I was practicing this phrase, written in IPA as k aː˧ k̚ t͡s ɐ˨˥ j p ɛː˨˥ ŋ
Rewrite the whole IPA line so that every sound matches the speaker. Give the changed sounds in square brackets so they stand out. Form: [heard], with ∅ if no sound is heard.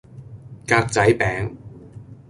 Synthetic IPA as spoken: k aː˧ k̚ t͡s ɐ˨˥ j p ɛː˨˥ ŋ